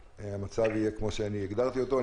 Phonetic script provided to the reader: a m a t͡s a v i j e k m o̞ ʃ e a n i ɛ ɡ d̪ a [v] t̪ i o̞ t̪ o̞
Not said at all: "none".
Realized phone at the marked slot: ʁ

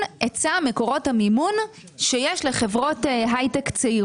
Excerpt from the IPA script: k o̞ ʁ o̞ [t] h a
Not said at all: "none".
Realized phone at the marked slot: t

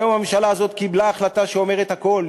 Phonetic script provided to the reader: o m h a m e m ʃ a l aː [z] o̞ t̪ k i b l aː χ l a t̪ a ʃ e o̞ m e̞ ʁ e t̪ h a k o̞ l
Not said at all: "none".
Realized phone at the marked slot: z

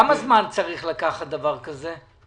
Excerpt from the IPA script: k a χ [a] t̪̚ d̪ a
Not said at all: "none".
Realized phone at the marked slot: a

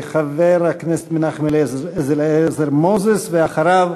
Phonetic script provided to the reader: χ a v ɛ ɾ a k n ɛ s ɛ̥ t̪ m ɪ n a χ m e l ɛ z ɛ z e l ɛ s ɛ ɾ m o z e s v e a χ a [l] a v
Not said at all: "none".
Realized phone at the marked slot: ɾ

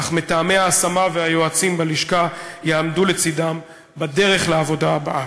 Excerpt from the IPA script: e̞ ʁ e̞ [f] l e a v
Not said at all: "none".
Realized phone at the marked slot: χ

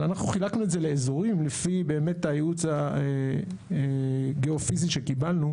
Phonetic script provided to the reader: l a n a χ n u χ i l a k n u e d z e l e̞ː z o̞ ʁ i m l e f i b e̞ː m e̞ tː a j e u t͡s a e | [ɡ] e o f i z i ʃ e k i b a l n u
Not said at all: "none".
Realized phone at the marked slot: ɡ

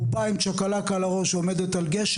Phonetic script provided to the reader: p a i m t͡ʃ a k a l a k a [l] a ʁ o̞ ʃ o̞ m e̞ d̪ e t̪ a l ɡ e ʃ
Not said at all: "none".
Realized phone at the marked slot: l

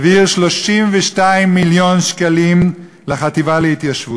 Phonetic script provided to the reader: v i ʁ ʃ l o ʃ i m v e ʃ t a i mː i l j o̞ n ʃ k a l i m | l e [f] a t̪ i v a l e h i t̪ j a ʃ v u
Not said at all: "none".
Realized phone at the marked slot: χ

